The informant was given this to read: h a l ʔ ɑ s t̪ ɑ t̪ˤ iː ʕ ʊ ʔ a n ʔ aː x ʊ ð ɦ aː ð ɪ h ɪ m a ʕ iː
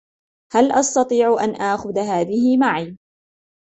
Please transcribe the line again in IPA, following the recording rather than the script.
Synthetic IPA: h a l ʔ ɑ s t̪ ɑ t̪ˤ iː ʕ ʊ ʔ a n ʔ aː x ʊ ð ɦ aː ð ɪ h ɪ m a ʕ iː